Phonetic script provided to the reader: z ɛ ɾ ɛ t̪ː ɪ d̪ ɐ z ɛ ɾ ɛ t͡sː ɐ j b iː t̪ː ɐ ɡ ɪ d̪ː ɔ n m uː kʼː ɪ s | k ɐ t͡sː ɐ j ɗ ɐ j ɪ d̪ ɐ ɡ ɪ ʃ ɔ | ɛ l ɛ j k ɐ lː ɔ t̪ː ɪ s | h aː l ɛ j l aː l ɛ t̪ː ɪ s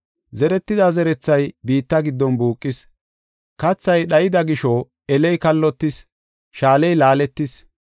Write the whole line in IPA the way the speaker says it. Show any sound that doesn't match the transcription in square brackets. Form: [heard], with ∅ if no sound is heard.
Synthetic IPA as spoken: z ɛ ɾ ɛ t̪ː ɪ d̪ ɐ z ɛ ɾ ɛ t͡sː ɐ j b iː t̪ː ɐ ɡ ɪ d̪ː ɔ n [b] uː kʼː ɪ s | k ɐ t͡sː ɐ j ɗ ɐ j ɪ d̪ ɐ ɡ ɪ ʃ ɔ | ɛ l ɛ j k ɐ lː ɔ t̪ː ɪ s | [ʃ] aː l ɛ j l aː l ɛ t̪ː ɪ s